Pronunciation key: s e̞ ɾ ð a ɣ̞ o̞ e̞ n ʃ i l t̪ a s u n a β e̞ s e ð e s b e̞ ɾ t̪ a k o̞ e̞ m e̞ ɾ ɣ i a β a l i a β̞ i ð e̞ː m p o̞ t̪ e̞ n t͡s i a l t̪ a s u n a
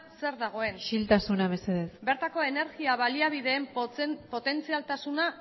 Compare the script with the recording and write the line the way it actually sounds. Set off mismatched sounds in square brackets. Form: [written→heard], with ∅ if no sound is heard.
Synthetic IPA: s e̞ ɾ ð a ɣ̞ o̞ e̞ n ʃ i l t̪ a s u n a β e̞ s e ð e s b e̞ ɾ t̪ a k o̞ e̞ [m→n] e̞ ɾ ɣ i a β a l i a β̞ i ð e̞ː m p o̞ t̪ e̞ n t͡s i a l t̪ a s u n a